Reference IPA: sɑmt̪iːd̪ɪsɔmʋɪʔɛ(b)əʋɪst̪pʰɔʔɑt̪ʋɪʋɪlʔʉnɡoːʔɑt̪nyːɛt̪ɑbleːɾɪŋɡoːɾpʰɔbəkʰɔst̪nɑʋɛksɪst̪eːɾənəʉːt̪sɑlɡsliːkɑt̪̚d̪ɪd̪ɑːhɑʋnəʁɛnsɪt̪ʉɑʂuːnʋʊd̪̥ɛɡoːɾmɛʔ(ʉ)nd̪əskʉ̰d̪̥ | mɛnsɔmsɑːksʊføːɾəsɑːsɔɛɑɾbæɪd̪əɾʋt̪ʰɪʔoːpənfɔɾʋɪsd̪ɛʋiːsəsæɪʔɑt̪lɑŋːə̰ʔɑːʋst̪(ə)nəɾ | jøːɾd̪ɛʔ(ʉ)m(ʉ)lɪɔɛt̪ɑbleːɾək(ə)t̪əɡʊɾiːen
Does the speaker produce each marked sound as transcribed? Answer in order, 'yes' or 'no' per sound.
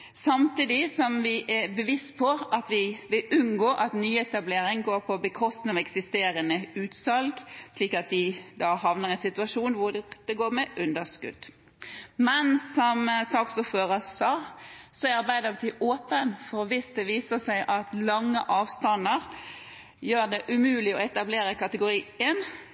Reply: yes, yes, no, yes, no, no

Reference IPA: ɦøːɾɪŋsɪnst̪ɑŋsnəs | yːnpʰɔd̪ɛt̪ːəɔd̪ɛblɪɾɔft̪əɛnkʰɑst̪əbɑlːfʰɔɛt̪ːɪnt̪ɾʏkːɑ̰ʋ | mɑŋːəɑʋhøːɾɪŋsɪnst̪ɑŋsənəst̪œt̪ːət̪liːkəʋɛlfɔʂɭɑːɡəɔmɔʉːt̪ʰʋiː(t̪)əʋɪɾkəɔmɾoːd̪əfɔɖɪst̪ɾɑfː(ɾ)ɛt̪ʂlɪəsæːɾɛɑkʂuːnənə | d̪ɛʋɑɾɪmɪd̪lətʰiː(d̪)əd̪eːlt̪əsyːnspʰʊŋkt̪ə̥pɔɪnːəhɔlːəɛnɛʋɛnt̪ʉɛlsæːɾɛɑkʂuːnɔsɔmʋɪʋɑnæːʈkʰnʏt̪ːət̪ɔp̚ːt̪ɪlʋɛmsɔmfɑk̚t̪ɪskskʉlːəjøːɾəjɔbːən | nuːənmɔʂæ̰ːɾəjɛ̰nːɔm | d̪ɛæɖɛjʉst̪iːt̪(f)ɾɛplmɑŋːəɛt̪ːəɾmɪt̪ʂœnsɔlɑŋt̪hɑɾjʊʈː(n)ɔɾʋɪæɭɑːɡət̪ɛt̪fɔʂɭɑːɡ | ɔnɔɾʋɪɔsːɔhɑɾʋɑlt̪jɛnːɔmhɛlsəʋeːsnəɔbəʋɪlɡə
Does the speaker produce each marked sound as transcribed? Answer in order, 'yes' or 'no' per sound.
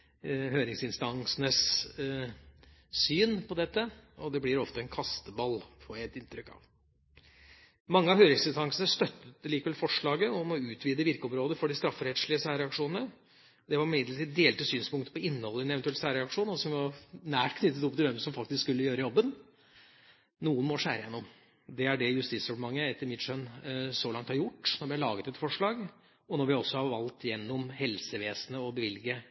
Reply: no, yes, yes, no, yes

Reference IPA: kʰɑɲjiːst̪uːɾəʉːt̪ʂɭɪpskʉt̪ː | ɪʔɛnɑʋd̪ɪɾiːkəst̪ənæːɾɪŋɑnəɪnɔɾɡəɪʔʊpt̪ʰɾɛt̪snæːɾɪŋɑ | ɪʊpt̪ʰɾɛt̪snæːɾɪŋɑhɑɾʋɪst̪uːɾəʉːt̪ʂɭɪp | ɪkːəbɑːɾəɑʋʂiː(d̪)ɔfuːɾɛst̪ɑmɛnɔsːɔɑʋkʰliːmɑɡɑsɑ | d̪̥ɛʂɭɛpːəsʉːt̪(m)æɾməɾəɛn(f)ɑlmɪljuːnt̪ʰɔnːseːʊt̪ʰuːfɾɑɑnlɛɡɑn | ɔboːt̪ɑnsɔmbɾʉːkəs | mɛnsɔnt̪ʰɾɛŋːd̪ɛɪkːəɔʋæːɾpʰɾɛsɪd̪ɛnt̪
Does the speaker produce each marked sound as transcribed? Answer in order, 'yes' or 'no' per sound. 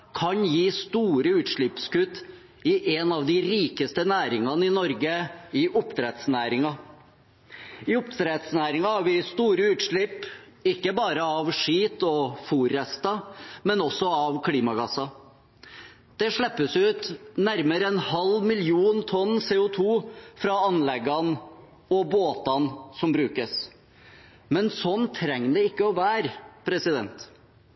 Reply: no, no, no

